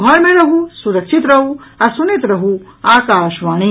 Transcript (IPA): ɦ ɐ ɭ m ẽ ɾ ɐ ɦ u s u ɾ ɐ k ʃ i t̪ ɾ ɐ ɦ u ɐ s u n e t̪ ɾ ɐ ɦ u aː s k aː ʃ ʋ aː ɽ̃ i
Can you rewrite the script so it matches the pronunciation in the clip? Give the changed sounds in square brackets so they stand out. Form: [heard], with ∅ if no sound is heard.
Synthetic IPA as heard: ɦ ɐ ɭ m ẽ ɾ ɐ ɦ u s u ɾ ɐ k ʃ i t̪ ɾ ɐ ɦ u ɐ s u n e t̪ ɾ ɐ ɦ u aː [∅] k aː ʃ ʋ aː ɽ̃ i